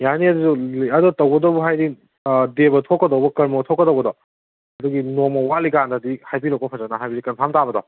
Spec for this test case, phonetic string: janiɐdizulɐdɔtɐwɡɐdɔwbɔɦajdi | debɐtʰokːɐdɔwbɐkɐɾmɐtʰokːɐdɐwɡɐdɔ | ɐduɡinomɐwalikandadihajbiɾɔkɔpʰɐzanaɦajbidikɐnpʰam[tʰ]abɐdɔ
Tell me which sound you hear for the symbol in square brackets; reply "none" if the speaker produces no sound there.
t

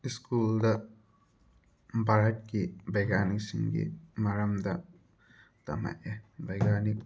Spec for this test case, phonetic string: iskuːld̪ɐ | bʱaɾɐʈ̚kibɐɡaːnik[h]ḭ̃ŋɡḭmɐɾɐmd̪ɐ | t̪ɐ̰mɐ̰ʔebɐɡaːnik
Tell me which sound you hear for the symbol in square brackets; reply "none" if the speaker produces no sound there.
s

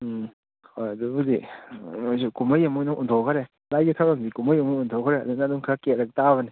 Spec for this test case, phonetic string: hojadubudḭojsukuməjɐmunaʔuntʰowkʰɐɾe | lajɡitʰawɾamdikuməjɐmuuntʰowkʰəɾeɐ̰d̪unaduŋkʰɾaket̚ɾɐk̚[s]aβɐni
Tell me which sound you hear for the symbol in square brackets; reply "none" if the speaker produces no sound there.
t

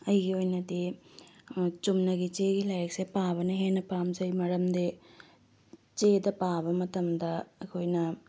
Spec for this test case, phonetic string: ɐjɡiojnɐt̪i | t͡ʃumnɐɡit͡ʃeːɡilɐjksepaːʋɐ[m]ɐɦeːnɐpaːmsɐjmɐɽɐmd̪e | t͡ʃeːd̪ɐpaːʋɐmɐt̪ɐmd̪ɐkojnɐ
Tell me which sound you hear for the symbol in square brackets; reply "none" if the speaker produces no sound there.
n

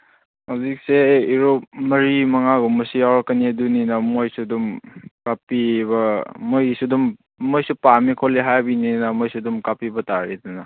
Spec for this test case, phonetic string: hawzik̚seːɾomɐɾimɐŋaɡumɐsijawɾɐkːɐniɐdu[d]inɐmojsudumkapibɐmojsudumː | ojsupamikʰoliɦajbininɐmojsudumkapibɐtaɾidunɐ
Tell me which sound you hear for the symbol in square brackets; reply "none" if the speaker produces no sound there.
n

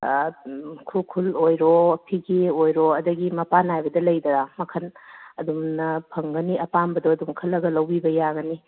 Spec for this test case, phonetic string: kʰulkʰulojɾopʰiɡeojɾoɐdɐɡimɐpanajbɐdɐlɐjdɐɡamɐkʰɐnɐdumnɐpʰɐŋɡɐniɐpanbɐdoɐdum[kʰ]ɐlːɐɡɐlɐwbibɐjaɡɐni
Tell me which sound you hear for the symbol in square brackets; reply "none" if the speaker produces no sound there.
kʰ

